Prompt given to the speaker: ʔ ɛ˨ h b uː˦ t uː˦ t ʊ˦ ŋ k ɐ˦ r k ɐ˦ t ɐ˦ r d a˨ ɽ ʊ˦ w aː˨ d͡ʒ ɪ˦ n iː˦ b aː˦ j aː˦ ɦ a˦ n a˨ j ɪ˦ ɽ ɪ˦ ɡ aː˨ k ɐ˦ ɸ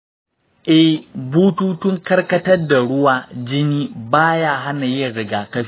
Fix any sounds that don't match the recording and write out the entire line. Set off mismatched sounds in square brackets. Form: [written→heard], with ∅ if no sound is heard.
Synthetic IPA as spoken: ʔ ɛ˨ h b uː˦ t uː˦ t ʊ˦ ŋ k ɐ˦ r k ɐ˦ t ɐ˦ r d a˨ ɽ ʊ˦ w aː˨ d͡ʒ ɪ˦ n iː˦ b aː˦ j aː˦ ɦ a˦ n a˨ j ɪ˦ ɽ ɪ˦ ɡ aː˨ k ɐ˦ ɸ

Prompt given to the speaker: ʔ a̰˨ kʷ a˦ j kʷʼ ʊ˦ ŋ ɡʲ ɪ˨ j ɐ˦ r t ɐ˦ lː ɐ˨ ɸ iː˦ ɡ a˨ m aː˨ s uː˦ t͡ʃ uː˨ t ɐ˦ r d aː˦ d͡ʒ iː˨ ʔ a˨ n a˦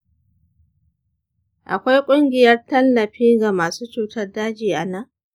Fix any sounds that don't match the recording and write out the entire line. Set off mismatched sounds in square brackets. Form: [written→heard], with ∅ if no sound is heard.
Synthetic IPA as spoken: ʔ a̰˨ kʷ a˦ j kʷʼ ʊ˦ ŋ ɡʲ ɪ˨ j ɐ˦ r t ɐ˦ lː ɐ˨ ɸ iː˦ ɡ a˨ m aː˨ s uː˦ t͡ʃ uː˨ t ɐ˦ r d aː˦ d͡ʒ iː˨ ʔ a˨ n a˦

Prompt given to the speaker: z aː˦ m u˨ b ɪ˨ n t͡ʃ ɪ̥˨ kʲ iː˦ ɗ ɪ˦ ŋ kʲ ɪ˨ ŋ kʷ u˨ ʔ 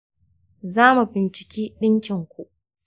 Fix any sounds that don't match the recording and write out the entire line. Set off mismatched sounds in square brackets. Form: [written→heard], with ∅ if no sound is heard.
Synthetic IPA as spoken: z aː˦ m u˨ b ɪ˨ n t͡ʃ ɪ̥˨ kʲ iː˦ ɗ ɪ˦ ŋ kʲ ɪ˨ ŋ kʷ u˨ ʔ

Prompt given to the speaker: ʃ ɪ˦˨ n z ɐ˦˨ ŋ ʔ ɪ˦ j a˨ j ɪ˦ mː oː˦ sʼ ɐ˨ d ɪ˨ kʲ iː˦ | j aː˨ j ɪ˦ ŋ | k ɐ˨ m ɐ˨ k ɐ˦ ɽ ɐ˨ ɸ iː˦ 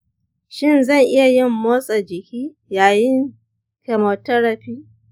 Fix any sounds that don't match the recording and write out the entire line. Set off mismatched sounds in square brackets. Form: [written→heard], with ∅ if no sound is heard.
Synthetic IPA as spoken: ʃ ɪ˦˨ n z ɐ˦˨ ŋ ʔ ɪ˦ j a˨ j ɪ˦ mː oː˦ sʼ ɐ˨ [d→d͡ʒ] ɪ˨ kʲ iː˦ | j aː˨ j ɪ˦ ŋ | k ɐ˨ m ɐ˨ [k→t] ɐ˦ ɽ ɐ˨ ɸ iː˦

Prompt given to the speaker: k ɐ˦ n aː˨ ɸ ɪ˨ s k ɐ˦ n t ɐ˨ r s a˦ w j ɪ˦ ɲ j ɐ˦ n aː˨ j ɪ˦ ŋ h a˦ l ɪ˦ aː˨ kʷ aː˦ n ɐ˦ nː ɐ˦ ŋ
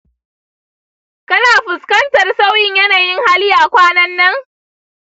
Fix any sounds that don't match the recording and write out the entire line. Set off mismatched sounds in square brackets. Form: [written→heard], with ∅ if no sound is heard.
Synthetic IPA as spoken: k ɐ˦ n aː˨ ɸ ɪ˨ s k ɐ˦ n t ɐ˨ r s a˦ w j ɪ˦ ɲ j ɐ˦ n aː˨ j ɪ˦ ŋ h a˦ l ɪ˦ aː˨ kʷ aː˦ n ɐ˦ nː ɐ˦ ŋ

